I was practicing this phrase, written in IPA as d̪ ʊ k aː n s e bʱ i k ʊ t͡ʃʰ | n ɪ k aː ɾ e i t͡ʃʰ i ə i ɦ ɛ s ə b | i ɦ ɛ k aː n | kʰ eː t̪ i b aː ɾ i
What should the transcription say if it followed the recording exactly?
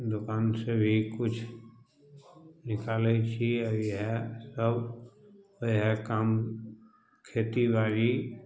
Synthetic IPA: d̪ ʊ k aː n s e bʱ i k ʊ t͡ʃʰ | n ɪ k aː l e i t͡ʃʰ i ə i ɦ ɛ s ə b | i ɦ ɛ k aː m | kʰ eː t̪ i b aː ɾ i